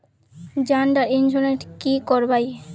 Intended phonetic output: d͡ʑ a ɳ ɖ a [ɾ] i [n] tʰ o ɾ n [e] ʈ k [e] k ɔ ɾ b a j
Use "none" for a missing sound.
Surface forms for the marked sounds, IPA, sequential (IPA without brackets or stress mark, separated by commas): ɾ, n, e, i